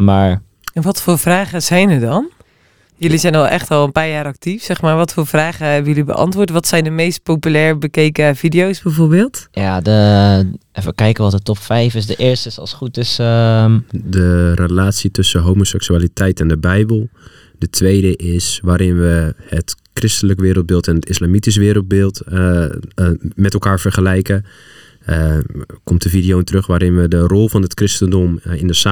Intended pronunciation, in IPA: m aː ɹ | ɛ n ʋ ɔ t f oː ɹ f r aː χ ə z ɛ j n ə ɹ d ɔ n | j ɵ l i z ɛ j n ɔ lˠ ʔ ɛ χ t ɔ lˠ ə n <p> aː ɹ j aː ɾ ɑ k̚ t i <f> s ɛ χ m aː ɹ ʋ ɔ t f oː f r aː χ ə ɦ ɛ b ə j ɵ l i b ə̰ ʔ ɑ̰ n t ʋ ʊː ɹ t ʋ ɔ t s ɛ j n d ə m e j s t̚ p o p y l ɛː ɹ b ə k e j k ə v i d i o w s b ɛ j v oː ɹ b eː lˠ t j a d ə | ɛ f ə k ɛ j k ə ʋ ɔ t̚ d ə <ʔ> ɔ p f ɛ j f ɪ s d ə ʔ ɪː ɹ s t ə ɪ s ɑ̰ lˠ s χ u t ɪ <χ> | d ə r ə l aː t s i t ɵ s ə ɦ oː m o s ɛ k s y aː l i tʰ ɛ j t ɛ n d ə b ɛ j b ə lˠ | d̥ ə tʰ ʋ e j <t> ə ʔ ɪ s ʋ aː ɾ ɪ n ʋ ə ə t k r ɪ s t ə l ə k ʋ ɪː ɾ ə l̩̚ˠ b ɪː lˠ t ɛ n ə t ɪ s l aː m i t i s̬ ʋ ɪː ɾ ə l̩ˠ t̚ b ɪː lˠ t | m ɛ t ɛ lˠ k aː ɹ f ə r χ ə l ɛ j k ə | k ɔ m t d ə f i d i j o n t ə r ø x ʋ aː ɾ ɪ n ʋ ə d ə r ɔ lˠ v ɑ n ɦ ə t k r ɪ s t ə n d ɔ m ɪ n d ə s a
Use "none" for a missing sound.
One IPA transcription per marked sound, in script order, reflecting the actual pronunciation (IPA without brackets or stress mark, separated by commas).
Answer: p, f, t, s, d